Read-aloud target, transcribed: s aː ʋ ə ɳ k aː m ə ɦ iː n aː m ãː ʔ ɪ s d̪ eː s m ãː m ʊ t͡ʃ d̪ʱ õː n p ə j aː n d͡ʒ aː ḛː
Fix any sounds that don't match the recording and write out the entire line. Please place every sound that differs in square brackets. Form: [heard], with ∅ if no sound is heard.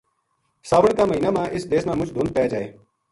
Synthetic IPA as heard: s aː ʋ ə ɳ k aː m ə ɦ iː n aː m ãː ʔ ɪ s d̪ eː s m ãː m ʊ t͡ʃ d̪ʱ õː n p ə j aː [∅] d͡ʒ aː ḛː